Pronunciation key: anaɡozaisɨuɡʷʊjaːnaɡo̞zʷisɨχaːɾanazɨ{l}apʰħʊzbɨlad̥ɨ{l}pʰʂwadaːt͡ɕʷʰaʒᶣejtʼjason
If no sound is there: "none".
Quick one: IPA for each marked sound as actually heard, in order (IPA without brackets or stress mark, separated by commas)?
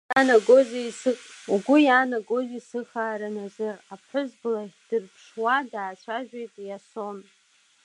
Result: r, r